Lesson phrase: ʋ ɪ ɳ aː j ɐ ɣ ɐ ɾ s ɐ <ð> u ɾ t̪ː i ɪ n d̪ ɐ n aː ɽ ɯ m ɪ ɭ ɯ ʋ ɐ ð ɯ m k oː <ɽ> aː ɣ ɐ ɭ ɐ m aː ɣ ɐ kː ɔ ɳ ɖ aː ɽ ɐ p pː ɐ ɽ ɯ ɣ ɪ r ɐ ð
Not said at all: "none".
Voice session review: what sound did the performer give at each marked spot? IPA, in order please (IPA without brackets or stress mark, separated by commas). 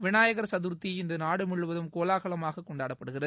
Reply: ð, l